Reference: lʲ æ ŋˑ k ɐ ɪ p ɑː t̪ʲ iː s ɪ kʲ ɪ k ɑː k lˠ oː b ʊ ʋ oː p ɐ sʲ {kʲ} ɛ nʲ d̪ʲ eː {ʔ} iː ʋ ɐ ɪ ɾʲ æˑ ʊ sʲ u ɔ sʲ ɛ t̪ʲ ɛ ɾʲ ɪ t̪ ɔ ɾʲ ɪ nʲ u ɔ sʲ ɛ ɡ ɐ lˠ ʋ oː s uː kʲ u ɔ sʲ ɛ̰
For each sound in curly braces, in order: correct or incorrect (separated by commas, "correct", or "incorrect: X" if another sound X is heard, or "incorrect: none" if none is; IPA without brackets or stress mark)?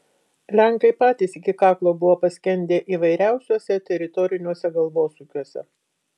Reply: correct, correct